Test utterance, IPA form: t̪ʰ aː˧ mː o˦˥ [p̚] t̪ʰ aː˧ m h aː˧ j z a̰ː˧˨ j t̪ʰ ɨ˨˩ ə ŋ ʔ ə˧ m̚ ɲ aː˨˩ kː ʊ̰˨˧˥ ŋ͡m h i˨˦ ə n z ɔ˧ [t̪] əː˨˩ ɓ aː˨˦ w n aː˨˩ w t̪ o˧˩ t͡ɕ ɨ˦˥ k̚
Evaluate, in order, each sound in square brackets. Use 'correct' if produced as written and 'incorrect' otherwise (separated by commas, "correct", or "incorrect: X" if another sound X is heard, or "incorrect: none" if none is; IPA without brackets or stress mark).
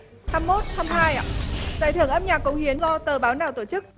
incorrect: t̚, correct